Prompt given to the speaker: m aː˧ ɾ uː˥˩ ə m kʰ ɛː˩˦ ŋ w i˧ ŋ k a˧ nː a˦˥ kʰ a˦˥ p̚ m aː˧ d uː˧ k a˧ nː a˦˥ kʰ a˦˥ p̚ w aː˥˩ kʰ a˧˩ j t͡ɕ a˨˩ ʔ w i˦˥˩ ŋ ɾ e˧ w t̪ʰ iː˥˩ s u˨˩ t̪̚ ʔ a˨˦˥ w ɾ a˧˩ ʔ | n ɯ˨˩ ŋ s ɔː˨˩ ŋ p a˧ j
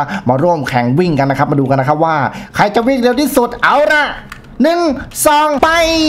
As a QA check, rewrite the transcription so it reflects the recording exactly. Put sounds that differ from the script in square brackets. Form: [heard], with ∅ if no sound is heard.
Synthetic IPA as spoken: m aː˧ ɾ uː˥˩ ə m kʰ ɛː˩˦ ŋ w [i˥˩] ŋ k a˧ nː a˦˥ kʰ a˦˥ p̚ m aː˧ d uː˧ k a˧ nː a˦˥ kʰ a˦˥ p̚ w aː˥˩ kʰ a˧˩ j t͡ɕ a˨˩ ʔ w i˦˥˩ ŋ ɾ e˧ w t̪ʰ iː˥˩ s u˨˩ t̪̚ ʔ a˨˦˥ w ɾ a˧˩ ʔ | n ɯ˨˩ ŋ s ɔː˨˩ ŋ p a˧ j